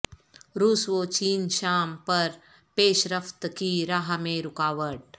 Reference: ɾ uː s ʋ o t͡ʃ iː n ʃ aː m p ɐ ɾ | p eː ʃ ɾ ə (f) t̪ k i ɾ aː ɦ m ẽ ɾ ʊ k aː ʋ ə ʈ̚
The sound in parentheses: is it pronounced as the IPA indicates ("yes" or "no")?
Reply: yes